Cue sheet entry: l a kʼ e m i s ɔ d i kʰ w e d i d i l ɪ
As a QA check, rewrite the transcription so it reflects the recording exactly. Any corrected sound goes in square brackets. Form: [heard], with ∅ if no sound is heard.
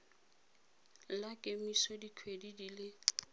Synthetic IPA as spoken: l a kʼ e m i s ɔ d i kʰ w e d i d i l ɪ